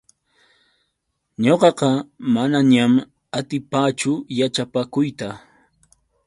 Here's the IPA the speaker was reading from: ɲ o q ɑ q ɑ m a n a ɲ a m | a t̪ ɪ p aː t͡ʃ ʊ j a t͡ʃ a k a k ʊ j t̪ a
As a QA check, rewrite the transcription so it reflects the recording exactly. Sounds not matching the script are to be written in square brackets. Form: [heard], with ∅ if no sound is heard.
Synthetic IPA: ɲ o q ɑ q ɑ m a n a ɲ a m | a t̪ ɪ p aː t͡ʃ ʊ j a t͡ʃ a [p] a k ʊ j t̪ a